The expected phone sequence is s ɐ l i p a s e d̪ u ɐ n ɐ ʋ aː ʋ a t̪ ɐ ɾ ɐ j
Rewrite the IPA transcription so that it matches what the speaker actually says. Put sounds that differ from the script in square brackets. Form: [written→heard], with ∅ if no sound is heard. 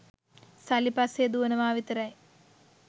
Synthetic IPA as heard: s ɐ l i p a s e d̪ u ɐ n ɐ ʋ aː ʋ [a→i] t̪ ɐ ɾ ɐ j